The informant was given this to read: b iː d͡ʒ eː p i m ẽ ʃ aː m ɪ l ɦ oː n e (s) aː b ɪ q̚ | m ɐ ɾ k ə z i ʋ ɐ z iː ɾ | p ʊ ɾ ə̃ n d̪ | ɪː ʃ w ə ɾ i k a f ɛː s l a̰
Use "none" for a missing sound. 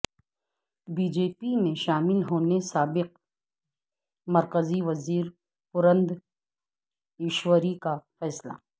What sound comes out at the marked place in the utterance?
s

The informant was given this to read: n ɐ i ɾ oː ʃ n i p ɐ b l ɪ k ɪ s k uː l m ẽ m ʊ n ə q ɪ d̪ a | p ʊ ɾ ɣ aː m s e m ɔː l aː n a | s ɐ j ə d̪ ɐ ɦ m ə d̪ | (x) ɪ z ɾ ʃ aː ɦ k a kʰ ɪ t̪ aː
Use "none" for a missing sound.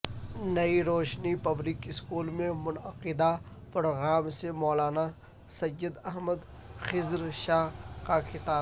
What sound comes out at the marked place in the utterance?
x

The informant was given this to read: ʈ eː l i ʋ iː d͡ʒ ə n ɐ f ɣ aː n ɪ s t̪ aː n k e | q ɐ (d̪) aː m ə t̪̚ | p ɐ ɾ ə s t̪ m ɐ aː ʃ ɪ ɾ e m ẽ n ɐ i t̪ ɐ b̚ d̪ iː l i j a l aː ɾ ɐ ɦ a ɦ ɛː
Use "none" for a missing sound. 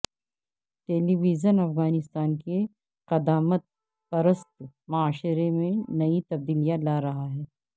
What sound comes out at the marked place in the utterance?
d̪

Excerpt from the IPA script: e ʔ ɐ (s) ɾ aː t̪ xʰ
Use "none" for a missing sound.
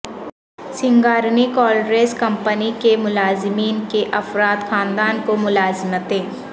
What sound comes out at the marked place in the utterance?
f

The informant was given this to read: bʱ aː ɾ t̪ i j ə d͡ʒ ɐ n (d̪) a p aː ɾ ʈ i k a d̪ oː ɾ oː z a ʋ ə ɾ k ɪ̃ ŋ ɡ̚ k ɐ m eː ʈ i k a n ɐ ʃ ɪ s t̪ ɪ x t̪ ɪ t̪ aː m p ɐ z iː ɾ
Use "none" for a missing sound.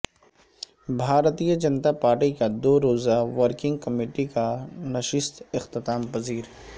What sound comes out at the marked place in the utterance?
t̪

